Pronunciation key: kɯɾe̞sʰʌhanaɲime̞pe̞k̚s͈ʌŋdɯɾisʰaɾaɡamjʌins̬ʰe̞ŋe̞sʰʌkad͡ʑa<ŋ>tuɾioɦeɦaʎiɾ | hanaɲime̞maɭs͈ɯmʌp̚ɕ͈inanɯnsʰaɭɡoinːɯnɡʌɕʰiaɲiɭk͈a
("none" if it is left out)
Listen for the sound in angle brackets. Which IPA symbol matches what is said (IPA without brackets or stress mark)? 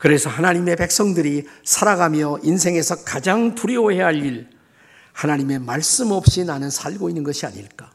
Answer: ŋ